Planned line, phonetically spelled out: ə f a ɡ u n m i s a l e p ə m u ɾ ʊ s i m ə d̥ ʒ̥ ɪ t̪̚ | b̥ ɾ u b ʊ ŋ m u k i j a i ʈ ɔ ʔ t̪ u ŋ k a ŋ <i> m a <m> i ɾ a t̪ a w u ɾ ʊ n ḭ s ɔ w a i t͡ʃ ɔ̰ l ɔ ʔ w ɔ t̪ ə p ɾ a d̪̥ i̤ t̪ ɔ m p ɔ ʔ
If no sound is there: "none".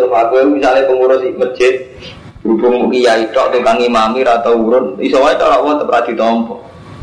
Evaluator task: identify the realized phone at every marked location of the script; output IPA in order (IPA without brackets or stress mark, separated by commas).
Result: i, m